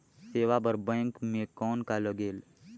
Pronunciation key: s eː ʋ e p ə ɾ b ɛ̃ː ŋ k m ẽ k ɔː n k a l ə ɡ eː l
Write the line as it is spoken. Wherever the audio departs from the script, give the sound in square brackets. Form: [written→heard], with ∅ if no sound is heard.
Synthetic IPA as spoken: s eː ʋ [e→a] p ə ɾ b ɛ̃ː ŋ k m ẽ k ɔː n k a l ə ɡ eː l